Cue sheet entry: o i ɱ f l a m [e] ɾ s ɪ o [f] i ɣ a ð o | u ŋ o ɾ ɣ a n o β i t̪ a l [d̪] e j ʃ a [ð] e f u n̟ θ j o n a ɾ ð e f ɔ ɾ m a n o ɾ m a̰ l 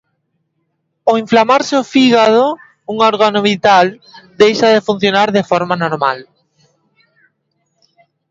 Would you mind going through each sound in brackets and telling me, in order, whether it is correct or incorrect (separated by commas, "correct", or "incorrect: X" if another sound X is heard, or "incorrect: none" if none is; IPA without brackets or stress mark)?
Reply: incorrect: a, correct, correct, correct